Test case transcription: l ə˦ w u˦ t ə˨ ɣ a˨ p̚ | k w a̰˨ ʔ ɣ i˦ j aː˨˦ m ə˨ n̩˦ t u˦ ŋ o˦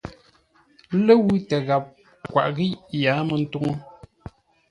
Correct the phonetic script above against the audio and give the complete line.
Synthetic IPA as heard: l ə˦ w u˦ t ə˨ ɣ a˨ p̚ | k w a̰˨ ʔ ɣ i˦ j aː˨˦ m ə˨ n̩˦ t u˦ ŋ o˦